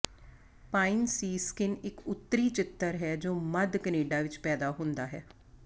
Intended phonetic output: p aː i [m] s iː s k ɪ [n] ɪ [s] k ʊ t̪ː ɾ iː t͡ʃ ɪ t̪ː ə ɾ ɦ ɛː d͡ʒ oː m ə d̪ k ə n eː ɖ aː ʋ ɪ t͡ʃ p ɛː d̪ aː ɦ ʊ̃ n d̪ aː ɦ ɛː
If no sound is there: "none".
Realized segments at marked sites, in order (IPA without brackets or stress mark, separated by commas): n, n, none